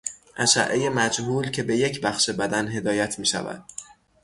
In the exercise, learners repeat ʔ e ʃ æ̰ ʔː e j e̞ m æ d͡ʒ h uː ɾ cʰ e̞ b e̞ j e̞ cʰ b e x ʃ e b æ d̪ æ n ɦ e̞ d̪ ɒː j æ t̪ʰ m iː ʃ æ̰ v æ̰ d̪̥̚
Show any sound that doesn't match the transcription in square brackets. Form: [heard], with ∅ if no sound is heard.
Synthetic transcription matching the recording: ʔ [æ] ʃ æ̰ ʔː e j e̞ m æ d͡ʒ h uː [l] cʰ e̞ b e̞ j e̞ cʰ b [æ] x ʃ e b æ d̪ æ n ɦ e̞ d̪ ɒː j æ t̪ʰ m iː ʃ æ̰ v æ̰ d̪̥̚